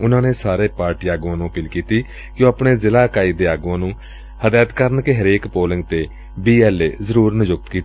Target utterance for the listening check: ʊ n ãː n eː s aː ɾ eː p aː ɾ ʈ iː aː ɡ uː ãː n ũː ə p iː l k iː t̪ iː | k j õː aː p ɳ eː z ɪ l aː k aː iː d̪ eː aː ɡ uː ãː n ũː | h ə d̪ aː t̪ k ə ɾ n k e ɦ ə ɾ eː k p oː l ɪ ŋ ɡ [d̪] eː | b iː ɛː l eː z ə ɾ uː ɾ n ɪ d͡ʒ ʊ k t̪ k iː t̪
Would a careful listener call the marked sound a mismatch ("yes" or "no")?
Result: yes